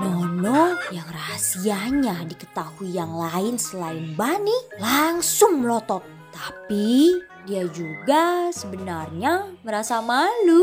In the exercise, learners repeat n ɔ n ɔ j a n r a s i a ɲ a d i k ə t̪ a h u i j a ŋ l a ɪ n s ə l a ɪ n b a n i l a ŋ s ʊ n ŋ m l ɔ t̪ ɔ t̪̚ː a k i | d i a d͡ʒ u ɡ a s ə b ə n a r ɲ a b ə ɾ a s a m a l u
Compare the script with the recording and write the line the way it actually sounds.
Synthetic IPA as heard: n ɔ n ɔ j a ŋ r a s i a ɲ a d i k ə t̪ a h u i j a ŋ l a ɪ n s ə l a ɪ n b a n i l a ŋ s ʊ ŋ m l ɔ t̪ ɔ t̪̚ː a p i | d i a d͡ʒ u ɡ a s ə b ə n a r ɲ a m ə ɾ a s a m a l u